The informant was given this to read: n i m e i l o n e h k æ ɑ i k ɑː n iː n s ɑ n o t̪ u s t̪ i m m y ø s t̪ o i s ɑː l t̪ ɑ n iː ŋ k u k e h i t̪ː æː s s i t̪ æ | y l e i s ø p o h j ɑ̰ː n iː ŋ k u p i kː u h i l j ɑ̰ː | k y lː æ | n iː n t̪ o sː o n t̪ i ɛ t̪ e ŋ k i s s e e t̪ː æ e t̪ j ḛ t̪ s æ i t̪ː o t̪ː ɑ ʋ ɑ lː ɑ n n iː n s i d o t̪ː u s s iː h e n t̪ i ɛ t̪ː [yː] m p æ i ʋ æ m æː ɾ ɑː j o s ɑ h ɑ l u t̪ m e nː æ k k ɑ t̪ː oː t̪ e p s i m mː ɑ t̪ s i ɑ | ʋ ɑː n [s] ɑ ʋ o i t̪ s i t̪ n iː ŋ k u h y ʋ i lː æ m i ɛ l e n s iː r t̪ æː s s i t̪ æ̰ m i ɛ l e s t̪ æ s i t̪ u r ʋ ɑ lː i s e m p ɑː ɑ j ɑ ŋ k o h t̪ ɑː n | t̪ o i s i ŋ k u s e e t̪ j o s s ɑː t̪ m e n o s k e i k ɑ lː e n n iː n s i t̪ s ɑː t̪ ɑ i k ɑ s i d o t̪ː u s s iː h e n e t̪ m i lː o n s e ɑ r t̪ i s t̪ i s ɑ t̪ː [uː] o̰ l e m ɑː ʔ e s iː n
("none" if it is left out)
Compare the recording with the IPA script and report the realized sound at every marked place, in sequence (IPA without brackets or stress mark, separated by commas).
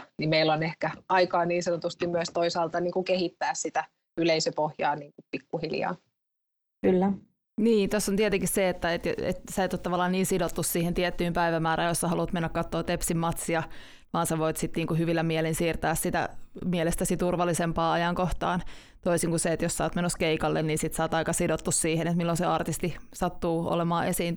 yː, s, uː